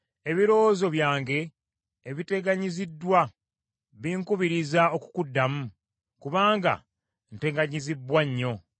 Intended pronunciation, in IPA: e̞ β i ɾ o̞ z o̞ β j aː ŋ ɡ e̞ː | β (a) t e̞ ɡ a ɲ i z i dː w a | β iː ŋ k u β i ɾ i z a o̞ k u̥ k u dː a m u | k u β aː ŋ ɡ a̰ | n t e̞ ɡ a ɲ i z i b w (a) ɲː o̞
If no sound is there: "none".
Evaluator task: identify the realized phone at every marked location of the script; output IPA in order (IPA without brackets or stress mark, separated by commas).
i, a